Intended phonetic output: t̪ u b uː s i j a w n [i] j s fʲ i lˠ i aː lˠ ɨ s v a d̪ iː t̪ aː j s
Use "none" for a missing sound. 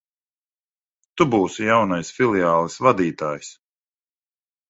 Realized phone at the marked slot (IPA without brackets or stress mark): a